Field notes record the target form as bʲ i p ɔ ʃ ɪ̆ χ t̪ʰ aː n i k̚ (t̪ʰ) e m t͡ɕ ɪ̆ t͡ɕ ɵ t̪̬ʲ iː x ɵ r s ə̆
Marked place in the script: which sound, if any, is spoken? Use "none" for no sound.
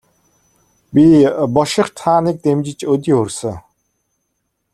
t̪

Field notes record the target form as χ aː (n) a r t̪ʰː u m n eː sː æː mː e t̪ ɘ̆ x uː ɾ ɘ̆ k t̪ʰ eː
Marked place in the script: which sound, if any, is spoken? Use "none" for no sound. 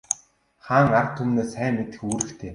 ŋ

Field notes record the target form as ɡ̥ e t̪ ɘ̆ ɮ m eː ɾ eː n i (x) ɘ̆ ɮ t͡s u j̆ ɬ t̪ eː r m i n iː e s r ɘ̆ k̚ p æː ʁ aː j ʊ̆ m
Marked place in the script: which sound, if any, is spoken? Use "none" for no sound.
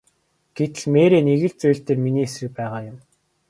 ɣ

